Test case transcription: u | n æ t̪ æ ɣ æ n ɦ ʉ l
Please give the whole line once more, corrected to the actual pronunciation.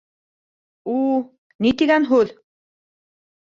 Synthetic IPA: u | n i t̪ i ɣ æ n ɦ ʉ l